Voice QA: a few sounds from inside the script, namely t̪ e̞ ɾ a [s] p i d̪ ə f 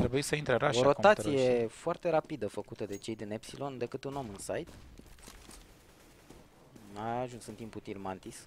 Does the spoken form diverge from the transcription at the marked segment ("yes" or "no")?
yes